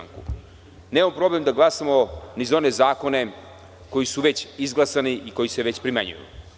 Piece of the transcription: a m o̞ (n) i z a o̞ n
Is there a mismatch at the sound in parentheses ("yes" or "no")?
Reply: no